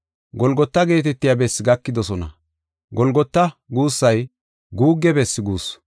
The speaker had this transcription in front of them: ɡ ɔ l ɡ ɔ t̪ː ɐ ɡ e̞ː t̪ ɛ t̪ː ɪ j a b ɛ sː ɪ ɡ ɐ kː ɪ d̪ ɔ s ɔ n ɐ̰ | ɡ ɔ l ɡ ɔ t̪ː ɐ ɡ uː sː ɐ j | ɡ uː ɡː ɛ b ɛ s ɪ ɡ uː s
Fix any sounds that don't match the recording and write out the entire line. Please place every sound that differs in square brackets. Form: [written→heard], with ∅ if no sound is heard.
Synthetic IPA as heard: ɡ ɔ l ɡ ɔ t̪ː ɐ ɡ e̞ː t̪ ɛ t̪ː ɪ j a b ɛ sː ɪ ɡ ɐ kː ɪ d̪ ɔ s ɔ n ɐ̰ | ɡ ɔ l ɡ ɔ t̪ː ɐ ɡ uː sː ɐ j | ɡ uː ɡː ɛ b ɛ [s→sː] ɪ ɡ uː s